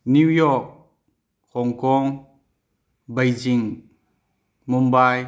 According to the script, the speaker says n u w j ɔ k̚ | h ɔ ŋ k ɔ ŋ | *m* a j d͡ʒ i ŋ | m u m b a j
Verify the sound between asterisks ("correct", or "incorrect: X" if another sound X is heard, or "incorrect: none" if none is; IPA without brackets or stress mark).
incorrect: b